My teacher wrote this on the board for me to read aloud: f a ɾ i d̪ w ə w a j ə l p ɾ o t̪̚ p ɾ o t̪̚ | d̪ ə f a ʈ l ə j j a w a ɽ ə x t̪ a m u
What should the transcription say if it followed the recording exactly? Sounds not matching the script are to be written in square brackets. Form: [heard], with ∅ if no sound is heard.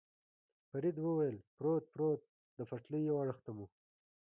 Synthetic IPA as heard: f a ɾ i d̪ w ə w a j ə l p ɾ o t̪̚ p ɾ o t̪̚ | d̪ ə f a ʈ l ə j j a w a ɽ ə x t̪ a m u